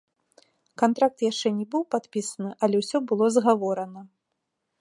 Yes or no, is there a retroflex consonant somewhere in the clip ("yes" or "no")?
yes